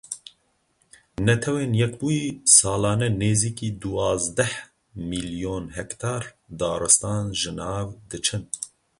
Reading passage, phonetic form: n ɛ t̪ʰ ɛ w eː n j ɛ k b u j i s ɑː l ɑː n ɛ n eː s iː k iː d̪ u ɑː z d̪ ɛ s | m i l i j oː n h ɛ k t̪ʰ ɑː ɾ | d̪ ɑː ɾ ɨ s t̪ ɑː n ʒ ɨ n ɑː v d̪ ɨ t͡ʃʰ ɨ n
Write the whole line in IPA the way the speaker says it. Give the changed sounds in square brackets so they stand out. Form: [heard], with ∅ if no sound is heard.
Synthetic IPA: n ɛ t̪ʰ ɛ w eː n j ɛ k b u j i s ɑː l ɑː n ɛ n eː [z] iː k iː d̪ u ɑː z d̪ ɛ [h] | m i l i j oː n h ɛ k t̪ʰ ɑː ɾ | d̪ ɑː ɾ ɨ s t̪ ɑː n ʒ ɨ n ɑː v d̪ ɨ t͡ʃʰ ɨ n